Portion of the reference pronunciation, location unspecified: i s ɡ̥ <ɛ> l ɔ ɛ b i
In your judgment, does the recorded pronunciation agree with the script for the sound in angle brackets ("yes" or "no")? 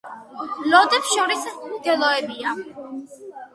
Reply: yes